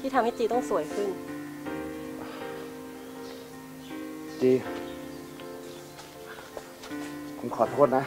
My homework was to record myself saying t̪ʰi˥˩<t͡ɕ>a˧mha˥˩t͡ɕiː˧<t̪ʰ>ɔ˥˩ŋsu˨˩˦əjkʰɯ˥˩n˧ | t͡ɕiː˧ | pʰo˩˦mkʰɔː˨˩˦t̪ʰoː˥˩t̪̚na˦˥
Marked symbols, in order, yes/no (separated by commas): no, no